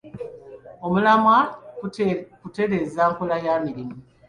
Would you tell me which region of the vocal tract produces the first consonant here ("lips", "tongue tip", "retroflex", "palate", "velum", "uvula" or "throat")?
lips